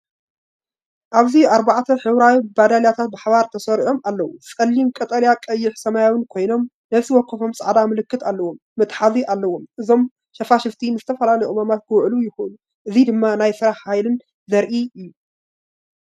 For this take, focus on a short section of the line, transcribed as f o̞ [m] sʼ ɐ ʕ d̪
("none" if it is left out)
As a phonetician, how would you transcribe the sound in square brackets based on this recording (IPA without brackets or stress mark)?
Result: m